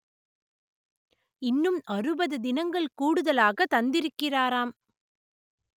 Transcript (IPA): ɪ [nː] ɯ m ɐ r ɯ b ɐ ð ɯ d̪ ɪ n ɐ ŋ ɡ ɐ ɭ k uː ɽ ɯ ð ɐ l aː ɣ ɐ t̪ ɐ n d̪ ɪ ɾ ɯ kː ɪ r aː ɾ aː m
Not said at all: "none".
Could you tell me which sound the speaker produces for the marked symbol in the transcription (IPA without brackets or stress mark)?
nː